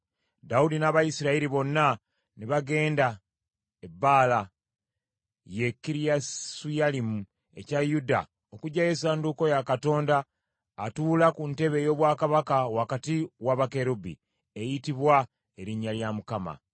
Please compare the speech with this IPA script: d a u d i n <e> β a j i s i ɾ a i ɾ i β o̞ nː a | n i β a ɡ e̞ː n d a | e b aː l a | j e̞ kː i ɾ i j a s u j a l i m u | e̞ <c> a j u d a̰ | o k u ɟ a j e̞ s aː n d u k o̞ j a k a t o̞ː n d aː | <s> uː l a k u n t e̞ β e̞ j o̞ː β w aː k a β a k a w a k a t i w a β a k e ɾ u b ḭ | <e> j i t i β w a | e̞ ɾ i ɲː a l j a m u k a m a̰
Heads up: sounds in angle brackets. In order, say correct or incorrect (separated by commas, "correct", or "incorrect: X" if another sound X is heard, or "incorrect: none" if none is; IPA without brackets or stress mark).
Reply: incorrect: a, correct, incorrect: t, correct